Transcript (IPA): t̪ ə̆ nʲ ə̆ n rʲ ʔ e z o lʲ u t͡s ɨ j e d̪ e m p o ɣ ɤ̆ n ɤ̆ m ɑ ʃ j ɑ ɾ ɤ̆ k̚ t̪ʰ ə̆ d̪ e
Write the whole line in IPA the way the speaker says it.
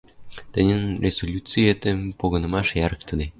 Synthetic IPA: t̪ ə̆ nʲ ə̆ n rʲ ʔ e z o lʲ u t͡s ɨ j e t̪ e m p o ɣ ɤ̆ n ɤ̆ m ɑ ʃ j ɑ ɾ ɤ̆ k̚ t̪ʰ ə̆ d̪ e